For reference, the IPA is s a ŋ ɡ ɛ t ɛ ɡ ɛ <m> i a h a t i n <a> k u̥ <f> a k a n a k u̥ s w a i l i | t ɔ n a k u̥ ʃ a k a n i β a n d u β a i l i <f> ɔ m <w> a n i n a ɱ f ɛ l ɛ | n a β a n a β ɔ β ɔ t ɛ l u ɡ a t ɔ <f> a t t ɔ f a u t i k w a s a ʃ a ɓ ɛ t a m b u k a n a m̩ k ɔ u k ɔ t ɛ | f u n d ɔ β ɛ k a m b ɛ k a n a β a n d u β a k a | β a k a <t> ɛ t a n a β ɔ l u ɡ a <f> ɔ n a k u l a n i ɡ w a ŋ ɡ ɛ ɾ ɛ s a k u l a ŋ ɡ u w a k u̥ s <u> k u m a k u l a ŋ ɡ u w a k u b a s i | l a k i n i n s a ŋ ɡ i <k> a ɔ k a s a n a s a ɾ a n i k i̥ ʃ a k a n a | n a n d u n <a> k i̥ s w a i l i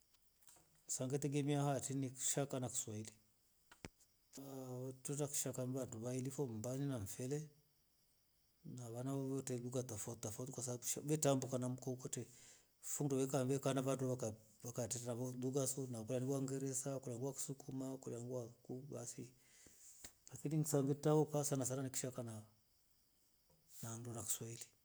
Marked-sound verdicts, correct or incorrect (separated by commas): correct, incorrect, incorrect, correct, incorrect, correct, correct, incorrect, correct, incorrect, correct